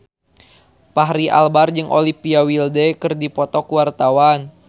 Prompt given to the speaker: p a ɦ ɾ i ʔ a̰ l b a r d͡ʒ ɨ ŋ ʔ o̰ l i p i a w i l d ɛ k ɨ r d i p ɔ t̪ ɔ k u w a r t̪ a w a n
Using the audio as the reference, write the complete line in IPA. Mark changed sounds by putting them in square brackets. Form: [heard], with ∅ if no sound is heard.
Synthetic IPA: p a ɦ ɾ i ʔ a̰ l b a r d͡ʒ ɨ ŋ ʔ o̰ l i p i a w i l d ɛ k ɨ r d i p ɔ t̪ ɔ k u w a r t̪ a w a n

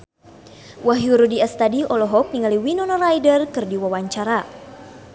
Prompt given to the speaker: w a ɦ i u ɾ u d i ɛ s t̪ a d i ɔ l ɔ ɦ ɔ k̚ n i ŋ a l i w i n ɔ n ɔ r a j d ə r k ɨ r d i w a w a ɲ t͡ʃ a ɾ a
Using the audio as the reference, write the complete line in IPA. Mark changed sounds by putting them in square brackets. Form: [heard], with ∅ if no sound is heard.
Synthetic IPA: w a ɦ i u ɾ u d i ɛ s t̪ a d i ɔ l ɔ ɦ ɔ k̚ n i ŋ a l i w i n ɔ n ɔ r a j d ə r k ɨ r d i w a w a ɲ t͡ʃ a ɾ a

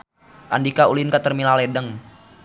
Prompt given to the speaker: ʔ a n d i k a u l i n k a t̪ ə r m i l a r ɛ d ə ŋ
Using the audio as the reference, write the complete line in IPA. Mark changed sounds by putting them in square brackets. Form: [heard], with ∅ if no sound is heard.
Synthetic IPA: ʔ a n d i k a u l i n k a t̪ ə r m i l a [l] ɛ d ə ŋ

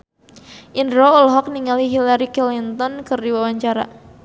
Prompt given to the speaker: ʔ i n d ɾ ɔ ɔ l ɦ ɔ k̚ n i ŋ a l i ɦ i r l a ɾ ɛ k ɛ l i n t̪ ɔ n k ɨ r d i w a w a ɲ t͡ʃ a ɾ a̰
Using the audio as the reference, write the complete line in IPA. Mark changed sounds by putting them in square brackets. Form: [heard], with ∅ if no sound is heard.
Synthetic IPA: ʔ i n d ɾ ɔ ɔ l ɦ ɔ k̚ n i ŋ a l i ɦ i [∅] l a ɾ [i] k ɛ l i n t̪ ɔ n k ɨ r d i w a w a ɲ t͡ʃ a ɾ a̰

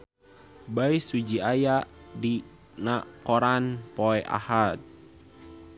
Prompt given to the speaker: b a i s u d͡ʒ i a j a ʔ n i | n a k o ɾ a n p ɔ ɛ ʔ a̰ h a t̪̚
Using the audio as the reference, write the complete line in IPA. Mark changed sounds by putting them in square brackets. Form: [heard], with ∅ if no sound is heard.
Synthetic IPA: b a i s u d͡ʒ i a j a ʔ [d] i | n a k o ɾ a n p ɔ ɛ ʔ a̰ h a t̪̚

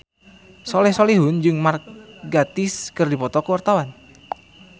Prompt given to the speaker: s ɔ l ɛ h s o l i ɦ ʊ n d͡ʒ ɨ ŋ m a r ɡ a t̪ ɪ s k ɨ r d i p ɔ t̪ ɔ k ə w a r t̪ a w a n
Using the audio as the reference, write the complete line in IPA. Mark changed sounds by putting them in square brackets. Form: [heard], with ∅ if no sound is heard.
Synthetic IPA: s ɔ l ɛ h s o l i ɦ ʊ n d͡ʒ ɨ ŋ m a r ɡ a t̪ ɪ s k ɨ r d i p ɔ t̪ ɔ k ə w a r t̪ a w a n

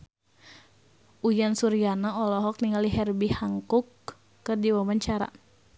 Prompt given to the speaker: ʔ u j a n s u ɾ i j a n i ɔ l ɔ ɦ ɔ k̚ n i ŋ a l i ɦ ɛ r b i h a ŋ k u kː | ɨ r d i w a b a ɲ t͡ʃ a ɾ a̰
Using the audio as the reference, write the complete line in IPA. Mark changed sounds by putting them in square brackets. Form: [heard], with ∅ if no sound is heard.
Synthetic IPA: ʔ u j a n s u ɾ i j a n [a] ɔ l ɔ ɦ ɔ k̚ n i ŋ a l i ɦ ɛ r b i h a ŋ k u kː | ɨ r d i w a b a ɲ t͡ʃ a ɾ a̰

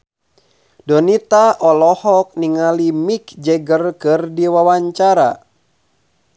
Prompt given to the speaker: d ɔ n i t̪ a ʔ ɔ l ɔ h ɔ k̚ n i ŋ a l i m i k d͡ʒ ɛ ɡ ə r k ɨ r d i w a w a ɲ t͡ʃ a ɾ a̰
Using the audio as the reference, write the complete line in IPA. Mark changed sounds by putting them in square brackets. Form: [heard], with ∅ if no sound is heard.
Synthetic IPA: d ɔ n i t̪ a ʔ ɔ l ɔ h ɔ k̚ n i ŋ a l i m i k d͡ʒ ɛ ɡ ə r k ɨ r d i w a w a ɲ t͡ʃ a ɾ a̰

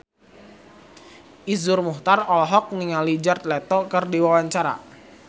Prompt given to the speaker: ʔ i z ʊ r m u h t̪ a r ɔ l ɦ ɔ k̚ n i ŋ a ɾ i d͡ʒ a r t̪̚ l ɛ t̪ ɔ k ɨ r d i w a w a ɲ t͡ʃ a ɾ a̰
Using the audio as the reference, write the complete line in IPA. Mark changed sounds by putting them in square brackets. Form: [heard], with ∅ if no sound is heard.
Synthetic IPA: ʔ i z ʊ r m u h t̪ a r ɔ l ɦ ɔ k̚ n i ŋ a [l] i d͡ʒ a r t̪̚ l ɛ t̪ ɔ k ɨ r d i w a w a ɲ t͡ʃ a ɾ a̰

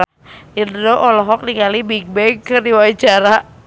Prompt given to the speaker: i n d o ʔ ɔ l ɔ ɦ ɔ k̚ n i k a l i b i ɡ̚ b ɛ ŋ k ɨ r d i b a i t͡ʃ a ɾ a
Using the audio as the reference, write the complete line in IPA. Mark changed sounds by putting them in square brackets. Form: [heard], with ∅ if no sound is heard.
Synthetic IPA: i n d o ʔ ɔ l ɔ ɦ ɔ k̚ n i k a l i b i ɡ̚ b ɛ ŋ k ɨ r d i [w] a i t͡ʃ a ɾ a

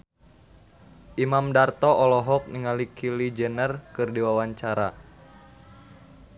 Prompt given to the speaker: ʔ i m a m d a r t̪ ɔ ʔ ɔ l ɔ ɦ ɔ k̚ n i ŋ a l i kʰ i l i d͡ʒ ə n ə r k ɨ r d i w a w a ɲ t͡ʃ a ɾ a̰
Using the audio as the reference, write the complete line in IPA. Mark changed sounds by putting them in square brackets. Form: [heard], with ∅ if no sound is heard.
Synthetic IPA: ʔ i m a m d a r t̪ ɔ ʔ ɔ l ɔ ɦ ɔ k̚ n i ŋ a l i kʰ i l i d͡ʒ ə n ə r k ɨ r d i w a w a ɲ t͡ʃ a ɾ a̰

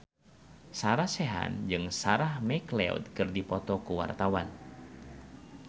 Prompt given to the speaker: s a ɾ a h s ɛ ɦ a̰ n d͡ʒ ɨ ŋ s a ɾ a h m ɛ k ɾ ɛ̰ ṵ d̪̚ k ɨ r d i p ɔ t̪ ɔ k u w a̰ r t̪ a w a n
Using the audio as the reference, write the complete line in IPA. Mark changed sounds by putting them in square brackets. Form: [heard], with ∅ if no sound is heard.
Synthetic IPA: s a ɾ a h s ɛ ɦ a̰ n d͡ʒ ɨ ŋ s a ɾ a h m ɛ k [l] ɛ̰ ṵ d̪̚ k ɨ r d i p ɔ t̪ ɔ k u w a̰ r t̪ a w a n

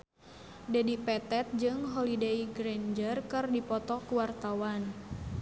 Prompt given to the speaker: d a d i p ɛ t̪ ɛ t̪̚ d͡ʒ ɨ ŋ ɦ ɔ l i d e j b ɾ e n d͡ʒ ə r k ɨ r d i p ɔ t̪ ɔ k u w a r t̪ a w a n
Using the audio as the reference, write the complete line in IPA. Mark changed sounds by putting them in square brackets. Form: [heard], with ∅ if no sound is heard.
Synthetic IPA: d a d i p ɛ t̪ ɛ t̪̚ d͡ʒ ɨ ŋ ɦ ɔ l i d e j [ɡ] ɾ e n d͡ʒ ə r k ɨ r d i p ɔ t̪ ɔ k u w a r t̪ a w a n

